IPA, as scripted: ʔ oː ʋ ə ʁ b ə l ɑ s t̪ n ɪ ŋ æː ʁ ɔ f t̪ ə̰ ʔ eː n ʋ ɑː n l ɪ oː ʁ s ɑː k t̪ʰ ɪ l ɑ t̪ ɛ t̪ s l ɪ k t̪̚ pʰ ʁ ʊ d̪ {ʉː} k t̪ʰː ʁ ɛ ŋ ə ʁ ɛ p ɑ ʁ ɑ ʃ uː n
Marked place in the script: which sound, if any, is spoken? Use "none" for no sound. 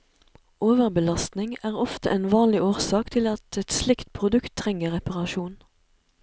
ʉ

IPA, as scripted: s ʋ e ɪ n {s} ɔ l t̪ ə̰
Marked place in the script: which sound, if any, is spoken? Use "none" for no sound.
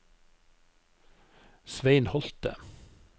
h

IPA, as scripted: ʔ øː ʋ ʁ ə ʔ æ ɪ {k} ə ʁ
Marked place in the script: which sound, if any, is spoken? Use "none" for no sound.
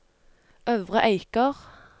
k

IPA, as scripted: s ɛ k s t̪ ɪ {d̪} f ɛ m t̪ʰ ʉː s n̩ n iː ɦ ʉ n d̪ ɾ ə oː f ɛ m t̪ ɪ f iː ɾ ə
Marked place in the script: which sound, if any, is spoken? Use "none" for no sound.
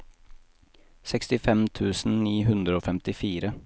none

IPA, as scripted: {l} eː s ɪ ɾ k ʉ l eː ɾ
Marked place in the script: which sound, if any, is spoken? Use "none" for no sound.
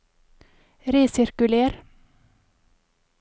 ɾ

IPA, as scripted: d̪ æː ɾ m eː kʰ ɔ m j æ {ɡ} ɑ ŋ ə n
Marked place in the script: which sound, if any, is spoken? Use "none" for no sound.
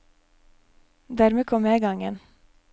ɡ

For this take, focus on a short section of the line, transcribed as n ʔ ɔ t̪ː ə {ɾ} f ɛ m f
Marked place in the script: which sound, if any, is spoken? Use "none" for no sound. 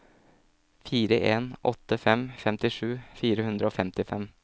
none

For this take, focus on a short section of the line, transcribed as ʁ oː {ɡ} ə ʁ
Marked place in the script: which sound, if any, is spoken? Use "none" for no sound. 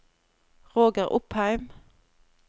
ɡ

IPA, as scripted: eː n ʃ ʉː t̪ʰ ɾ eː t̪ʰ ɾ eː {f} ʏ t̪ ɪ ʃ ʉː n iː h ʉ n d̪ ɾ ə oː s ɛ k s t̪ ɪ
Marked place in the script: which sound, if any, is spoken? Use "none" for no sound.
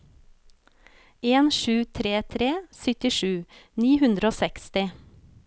s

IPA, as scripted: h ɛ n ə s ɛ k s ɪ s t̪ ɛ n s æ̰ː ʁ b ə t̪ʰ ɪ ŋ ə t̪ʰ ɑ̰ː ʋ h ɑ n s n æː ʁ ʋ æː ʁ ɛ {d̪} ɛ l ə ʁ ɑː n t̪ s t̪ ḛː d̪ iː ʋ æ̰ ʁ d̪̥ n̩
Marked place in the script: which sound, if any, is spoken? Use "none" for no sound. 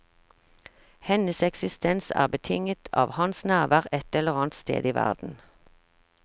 t̪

